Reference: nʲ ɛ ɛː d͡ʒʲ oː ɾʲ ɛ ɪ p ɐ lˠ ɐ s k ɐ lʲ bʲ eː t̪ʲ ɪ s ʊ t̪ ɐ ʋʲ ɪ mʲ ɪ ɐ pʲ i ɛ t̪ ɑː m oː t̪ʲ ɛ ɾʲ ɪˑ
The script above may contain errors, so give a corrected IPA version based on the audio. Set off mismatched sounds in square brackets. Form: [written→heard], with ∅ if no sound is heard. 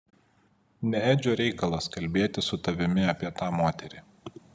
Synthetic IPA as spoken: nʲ ɛ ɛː d͡ʒʲ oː ɾʲ ɛ ɪ [p→k] ɐ lˠ ɐ s k ɐ lʲ bʲ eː t̪ʲ ɪ s ʊ t̪ ɐ ʋʲ ɪ mʲ ɪ ɐ pʲ i ɛ t̪ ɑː m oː t̪ʲ ɛ ɾʲ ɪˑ